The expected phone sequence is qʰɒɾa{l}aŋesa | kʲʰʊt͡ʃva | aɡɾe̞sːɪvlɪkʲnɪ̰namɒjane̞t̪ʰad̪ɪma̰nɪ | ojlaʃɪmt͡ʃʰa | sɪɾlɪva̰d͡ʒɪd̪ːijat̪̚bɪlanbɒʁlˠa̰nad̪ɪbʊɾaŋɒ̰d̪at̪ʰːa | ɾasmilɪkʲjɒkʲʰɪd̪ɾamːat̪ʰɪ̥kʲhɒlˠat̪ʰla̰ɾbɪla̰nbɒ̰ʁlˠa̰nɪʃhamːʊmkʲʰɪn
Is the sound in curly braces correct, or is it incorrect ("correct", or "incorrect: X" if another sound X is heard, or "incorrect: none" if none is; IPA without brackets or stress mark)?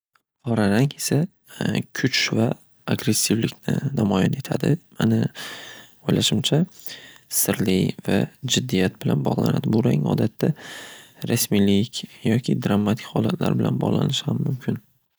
incorrect: ɾ